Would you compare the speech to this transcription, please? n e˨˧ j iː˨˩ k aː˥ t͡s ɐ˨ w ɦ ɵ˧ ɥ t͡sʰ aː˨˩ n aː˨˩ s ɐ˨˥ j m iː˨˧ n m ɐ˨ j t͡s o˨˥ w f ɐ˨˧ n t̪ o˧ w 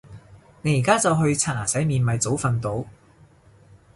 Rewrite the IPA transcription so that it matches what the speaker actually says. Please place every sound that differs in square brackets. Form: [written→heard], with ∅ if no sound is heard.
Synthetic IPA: n e˨˧ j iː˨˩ k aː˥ t͡s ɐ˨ w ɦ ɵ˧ ɥ t͡sʰ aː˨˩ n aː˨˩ s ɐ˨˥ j m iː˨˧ n m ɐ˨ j t͡s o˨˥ w f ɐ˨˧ n t̪ [o˧→o˨˥] w